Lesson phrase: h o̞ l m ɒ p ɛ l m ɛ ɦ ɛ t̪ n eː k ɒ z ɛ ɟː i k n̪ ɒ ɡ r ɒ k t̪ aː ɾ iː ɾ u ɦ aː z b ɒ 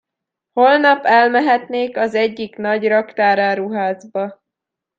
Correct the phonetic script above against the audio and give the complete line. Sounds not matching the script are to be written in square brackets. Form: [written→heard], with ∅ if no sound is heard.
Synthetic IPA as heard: h o̞ l [m→n] ɒ p ɛ l m ɛ ɦ ɛ t̪ n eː k ɒ z ɛ ɟː i k n̪ ɒ [ɡ→ɟ] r ɒ k t̪ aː ɾ [iː→aː] ɾ u ɦ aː z b ɒ